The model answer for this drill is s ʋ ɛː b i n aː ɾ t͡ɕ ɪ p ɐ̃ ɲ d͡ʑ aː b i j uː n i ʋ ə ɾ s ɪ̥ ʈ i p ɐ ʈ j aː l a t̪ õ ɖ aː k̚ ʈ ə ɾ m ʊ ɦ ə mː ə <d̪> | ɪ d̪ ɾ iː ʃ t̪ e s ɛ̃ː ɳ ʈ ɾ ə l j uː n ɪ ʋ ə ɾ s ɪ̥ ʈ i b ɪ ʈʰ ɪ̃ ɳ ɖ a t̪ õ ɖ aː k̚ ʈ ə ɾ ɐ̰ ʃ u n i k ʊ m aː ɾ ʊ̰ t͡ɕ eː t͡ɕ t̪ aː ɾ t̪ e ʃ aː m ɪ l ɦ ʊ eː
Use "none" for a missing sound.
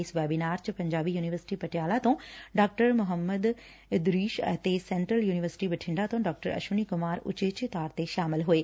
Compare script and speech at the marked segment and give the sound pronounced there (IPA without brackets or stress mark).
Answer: d̪